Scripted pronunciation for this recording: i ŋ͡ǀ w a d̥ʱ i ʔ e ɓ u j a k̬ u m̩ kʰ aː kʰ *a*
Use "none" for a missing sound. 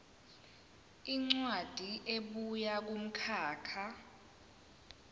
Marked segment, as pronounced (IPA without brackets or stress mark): a